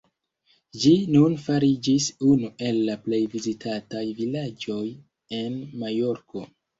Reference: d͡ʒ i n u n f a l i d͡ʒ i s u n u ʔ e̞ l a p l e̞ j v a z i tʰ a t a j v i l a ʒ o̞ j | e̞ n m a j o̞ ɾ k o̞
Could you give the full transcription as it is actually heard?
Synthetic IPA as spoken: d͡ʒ i n u n f a ɾ i d͡ʒ i s u n u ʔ e̞ lː a p l e̞ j v i z i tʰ a t a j v i l a d͡ʒ o̞ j | e̞ n m a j o̞ ɾ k o̞